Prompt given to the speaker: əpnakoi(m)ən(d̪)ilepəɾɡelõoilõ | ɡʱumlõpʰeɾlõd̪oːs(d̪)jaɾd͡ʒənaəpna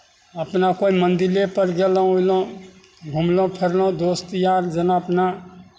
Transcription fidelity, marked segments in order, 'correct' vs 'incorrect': correct, correct, incorrect: t̪

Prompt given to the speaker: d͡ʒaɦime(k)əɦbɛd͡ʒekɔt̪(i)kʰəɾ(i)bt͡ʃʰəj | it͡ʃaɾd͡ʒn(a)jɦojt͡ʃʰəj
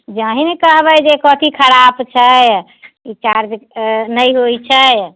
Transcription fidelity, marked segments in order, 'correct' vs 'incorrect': correct, correct, incorrect: a, incorrect: ə

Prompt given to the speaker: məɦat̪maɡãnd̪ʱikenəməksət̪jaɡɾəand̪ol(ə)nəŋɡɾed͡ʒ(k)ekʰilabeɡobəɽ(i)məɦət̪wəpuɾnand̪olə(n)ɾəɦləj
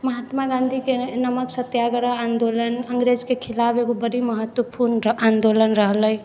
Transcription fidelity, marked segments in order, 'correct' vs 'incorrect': correct, correct, correct, correct

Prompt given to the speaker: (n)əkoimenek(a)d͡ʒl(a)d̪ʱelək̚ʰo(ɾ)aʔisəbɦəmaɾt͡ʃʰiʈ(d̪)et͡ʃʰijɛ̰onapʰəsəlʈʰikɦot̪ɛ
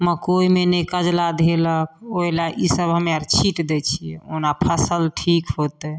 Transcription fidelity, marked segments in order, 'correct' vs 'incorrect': incorrect: m, incorrect: ə, correct, incorrect: l, correct

